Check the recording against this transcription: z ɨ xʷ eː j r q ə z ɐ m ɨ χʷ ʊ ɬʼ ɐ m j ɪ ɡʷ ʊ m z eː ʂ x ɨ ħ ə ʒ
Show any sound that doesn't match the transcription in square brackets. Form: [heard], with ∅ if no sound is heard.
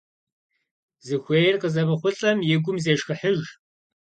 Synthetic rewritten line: z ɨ xʷ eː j r q ə z ɐ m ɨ χʷ ʊ ɬʼ ɐ m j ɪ ɡʷ ʊ m z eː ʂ x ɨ ħ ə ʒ